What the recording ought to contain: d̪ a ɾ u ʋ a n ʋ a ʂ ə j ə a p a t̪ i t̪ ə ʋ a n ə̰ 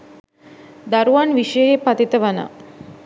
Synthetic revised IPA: d̪ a ɾ u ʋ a n ʋ i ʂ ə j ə e p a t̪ i t̪ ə ʋ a n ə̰